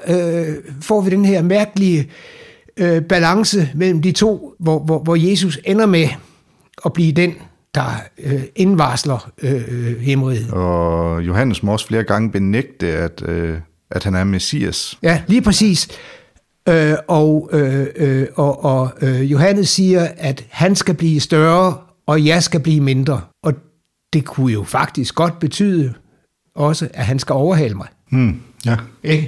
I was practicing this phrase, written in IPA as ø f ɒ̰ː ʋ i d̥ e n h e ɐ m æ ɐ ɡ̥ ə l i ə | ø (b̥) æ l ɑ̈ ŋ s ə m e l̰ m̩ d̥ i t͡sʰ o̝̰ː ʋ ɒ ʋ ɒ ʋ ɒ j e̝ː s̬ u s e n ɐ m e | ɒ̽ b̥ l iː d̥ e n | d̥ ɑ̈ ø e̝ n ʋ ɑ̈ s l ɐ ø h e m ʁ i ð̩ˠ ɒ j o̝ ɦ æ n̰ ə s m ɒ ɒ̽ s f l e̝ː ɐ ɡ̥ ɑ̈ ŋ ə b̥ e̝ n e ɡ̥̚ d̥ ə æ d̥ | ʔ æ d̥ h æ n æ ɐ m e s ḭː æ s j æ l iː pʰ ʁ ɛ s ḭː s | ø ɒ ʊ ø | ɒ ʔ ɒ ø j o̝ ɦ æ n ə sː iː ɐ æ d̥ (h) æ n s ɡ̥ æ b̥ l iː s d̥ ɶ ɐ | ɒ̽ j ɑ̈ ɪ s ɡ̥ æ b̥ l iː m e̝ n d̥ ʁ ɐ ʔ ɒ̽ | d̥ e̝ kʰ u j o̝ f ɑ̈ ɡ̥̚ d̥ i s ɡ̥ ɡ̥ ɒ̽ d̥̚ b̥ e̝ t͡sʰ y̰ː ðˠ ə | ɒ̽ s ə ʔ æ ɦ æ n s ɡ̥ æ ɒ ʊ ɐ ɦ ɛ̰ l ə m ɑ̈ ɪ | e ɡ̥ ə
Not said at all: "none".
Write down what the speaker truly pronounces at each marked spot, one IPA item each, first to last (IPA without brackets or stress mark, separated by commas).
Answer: b̥, h